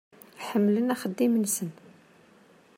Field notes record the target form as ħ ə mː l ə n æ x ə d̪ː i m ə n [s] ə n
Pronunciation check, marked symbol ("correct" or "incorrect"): correct